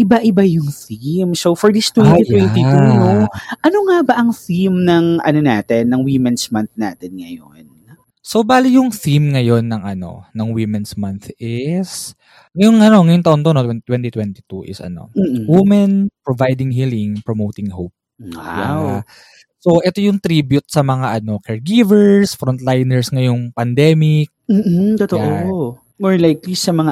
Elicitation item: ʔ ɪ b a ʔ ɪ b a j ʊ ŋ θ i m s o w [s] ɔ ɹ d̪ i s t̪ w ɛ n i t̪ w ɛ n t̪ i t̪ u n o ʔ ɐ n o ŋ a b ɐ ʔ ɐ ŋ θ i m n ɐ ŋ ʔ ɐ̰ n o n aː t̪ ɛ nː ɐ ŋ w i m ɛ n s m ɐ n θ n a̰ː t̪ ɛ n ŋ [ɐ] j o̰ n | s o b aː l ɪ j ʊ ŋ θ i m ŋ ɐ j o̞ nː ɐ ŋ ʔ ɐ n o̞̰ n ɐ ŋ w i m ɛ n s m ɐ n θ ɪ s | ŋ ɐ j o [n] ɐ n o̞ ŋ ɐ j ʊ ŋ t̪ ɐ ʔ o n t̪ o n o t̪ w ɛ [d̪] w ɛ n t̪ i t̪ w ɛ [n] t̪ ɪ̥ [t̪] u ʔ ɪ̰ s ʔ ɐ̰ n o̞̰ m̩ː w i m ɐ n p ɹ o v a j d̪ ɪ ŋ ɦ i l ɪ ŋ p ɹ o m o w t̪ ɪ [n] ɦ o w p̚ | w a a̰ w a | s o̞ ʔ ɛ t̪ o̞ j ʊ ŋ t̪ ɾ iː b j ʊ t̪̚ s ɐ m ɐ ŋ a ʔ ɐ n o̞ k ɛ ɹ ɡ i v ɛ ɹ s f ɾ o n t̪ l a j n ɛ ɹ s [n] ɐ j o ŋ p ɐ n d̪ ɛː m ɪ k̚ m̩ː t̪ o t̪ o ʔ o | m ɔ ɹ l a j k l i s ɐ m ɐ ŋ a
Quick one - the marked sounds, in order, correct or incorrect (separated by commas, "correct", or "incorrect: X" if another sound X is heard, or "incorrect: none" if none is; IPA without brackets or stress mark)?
incorrect: f, correct, incorrect: ŋ, incorrect: t̪, correct, correct, incorrect: ŋ, incorrect: ŋ